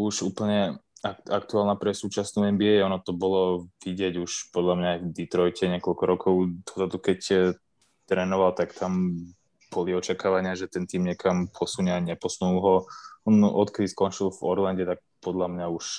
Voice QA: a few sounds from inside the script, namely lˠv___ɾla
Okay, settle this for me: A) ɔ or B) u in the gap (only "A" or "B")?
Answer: A